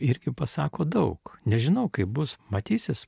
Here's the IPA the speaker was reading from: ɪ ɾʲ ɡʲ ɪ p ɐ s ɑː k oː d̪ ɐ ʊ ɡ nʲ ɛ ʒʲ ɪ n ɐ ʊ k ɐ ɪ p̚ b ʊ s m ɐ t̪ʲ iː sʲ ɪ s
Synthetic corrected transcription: ɪ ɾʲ ɡʲ ɪ p ɐ s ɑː k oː d̪ ɐ ʊ k nʲ ɛ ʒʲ ɪ n ɐ ʊ k ɐ ɪ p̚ b ʊ s m ɐ t̪ʲ iː sʲ ɪ s